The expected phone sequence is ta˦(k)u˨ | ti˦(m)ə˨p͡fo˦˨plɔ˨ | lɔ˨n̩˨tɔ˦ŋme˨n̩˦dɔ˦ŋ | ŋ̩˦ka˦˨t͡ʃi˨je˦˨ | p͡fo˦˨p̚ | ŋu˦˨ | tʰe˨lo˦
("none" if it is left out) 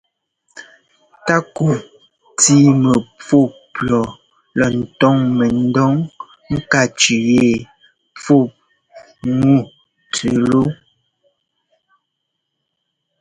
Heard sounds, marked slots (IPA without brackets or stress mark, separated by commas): k, m